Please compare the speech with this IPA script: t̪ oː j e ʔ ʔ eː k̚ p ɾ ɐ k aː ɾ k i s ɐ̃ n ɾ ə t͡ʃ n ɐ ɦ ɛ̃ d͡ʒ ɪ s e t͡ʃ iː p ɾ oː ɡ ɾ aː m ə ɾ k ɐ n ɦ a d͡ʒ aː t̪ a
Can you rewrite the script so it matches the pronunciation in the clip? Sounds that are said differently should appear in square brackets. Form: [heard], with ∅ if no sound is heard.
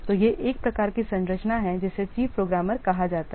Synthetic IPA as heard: t̪ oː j e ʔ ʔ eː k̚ p ɾ ɐ k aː ɾ k i s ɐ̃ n ɾ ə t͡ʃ n [a] ɦ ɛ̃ d͡ʒ ɪ s e t͡ʃ iː p ɾ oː ɡ ɾ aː m ə ɾ k ɐ [∅] ɦ a d͡ʒ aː t̪ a